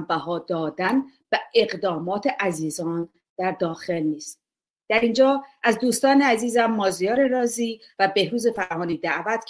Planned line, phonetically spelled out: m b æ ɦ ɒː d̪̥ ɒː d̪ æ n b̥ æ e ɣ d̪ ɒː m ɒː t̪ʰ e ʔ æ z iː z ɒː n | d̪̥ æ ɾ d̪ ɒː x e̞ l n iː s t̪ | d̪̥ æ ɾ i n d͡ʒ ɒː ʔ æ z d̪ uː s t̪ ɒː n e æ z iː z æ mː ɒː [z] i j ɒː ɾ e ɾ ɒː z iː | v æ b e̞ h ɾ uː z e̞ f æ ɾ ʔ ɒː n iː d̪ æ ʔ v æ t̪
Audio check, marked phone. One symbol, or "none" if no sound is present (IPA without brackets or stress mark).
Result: z